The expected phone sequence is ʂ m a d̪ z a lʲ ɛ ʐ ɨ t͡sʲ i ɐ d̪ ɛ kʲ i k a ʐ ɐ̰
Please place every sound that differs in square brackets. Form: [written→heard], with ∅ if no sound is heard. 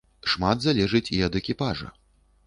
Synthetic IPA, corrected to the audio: ʂ m a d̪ z a lʲ ɛ ʐ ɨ t͡sʲ i ɐ d̪ ɛ kʲ i [k→p] a ʐ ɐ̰